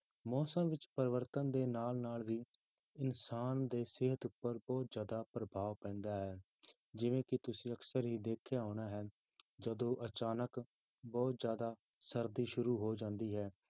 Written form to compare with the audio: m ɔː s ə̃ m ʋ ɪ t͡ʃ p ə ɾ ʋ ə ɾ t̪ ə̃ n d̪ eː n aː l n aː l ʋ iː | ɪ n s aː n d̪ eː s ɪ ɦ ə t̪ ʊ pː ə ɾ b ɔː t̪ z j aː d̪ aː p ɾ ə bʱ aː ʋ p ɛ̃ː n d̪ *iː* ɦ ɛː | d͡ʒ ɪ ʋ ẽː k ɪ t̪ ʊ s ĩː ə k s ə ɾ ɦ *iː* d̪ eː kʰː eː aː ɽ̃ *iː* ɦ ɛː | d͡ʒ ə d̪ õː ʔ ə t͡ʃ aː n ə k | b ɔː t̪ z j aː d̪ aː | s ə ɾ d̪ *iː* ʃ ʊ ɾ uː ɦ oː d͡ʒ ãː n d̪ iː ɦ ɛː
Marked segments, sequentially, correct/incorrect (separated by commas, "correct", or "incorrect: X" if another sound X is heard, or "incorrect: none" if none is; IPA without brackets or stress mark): incorrect: aː, correct, incorrect: aː, correct